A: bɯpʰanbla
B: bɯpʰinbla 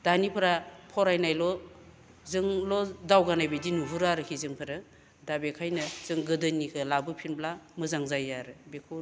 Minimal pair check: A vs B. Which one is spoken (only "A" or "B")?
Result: B